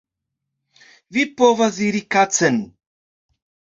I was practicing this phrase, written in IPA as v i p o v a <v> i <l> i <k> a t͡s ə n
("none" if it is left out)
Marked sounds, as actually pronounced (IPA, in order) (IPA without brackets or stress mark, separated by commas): z, ɾ, k